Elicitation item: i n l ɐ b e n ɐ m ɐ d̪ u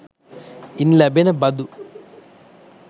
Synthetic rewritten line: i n l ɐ b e n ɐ b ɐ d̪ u